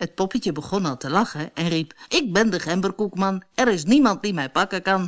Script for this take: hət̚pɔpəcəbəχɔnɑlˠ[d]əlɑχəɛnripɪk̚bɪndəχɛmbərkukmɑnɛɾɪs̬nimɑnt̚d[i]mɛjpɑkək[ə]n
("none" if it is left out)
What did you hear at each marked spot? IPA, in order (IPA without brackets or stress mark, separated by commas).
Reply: t, i, ɑ